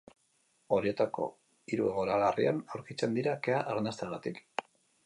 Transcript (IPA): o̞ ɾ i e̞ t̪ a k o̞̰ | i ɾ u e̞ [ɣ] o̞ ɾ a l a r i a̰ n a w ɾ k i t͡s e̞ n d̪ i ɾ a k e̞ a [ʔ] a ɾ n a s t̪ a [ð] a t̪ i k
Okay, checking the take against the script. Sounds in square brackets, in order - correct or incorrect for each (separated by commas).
correct, correct, incorrect